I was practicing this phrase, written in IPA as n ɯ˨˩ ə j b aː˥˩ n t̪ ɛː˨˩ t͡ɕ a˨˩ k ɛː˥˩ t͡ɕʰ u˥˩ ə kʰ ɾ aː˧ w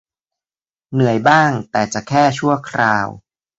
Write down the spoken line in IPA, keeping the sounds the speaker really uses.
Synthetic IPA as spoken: n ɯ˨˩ ə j b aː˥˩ ŋ t̪ ɛː˨˩ t͡ɕ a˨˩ kʰ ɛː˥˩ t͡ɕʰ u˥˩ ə kʰ ɾ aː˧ w